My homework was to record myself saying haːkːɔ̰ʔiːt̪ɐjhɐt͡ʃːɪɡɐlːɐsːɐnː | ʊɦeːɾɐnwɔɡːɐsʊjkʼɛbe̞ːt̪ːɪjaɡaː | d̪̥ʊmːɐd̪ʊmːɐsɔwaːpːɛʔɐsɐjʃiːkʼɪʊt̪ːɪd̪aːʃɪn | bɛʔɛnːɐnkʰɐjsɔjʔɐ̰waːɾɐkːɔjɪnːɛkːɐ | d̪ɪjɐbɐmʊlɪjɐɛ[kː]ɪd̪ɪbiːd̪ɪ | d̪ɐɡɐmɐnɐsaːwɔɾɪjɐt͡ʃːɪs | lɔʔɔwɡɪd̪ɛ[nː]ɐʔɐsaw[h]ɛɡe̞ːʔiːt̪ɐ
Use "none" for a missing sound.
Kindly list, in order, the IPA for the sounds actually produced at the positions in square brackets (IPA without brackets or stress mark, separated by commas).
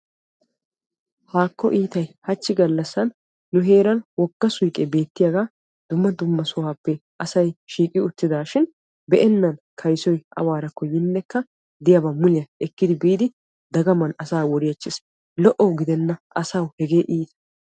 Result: kː, nː, h